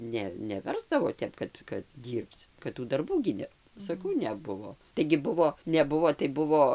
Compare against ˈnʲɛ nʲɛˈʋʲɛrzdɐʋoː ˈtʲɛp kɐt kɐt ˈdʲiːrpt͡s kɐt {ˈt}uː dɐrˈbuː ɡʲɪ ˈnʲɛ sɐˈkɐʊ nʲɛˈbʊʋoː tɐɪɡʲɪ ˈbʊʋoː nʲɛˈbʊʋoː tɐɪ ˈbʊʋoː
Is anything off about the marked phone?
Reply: no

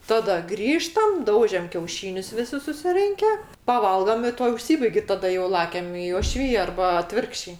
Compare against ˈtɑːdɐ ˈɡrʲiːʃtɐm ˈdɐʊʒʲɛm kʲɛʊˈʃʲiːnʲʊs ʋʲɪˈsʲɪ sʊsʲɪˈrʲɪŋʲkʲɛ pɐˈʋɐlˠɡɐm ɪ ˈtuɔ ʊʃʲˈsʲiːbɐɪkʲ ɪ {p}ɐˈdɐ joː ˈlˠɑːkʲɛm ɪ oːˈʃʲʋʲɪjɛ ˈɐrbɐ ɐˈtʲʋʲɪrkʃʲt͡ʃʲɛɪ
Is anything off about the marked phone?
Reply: yes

